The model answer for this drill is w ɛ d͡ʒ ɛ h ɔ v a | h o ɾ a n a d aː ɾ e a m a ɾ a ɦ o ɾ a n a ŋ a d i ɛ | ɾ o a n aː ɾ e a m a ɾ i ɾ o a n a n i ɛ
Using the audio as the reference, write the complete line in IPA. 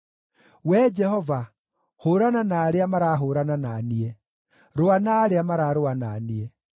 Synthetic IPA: w ɛ d͡ʒ ɛ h ɔ v a | h o ɾ a n a n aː ɾ e a m a ɾ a ɦ o ɾ a n a n a n i ɛ | ɾ o a n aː ɾ e a m a ɾ a ɾ o a n a n i ɛ

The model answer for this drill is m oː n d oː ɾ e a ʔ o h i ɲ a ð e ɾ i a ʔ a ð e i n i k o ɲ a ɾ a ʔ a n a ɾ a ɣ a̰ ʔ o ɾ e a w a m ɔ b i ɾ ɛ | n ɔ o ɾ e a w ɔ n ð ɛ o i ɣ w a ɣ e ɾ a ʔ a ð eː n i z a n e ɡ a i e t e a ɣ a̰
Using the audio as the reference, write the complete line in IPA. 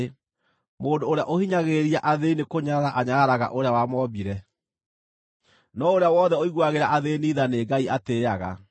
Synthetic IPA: m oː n d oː ɾ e a ʔ o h i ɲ a ɣ e ɾ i a ʔ a ð e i n e k o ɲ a ɾ a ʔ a ɲ a ɾ a ɣ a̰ ʔ o ɾ e a w a m ɔ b i ɾ ɛ | n ɔ o ɾ e a w ɔ ð ɛ o i ɣ w a ɣ e ɾ a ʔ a ð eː n i ð a n e ɡ a i a t e a ɣ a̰

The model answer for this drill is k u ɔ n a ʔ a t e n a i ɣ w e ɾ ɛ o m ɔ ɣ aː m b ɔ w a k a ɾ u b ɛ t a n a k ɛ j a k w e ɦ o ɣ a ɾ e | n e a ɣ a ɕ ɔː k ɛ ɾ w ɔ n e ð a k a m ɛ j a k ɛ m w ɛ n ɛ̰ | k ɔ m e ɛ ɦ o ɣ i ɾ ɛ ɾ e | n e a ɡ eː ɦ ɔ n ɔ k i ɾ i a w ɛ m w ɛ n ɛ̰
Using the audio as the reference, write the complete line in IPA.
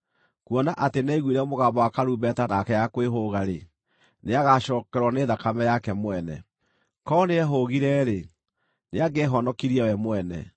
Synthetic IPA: k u ɔ n a ʔ a t e n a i ɣ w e ɾ ɛ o m o ɣ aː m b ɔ w a k a ɾ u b ɛ t a n a k ɛ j a k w e ɦ o ɣ a ɾ e | n e a ɣ a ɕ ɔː k ɛ ɾ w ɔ n e ð a k a m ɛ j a k ɛ m w ɛ n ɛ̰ | k ɔ n e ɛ ɦ o ɣ i ɾ ɛ ɾ e | n e a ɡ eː ɦ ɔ n ɔ k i ɾ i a w ɛ m w ɛ n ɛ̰

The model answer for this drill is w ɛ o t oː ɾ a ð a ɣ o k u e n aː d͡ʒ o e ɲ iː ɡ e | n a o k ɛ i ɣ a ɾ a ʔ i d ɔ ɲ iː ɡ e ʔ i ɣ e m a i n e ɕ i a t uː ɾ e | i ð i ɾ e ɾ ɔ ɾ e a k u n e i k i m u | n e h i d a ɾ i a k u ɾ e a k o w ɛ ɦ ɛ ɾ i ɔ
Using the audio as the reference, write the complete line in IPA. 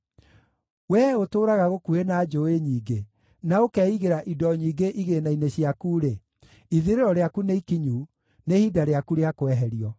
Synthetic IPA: w ɛ o t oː ɾ a ɣ a ɣ o k u e n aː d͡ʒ o e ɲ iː ɡ e | n a o k ɛ i ɣ e ɾ a ʔ i d ɔ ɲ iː ɡ e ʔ i ɣ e n a i n e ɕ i a k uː ɾ e | i ð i ɾ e ɾ ɔ ɾ e a k u n e i k i ɲ u | n e h i d a ɾ e a k u ɾ e a k o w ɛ ɦ ɛ ɾ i ɔ

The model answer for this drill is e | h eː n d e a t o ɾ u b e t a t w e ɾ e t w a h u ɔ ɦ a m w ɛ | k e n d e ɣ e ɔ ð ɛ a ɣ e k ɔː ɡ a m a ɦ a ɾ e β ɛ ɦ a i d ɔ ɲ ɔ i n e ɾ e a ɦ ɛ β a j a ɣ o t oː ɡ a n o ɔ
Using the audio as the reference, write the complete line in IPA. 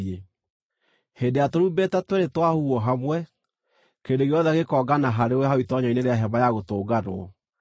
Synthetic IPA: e | h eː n d e a t o ɾ u b e t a t w e ɾ e t w a h u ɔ ɦ a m w ɛ | k e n d e ɣ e ɔ ð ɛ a ɣ e k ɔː ɡ a n a ɦ a ɾ e w ɛ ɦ a i t ɔ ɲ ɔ i n e ɾ e a ɦ ɛ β a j a ɣ o t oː ɡ a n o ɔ

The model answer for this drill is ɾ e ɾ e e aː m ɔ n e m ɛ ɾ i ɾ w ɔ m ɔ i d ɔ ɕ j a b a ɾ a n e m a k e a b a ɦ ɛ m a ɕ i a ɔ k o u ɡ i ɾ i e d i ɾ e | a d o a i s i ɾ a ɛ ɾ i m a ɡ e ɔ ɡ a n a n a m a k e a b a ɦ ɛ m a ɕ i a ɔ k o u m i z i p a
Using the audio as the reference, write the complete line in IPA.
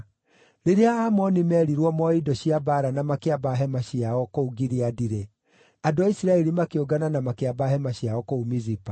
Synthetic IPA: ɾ e ɾ e a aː m ɔ n i m ɛ ɾ i ɾ w ɔ m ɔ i d ɔ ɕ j a b a ɾ a n a m a k e a b a ɦ ɛ m a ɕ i a ɔ k o u ɡ i ɾ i a d i ɾ e | a d o a i s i ɾ a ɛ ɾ i m a k e o ɡ a n a n a m a k e a b a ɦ ɛ m a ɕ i a ɔ k o u m i z i p a

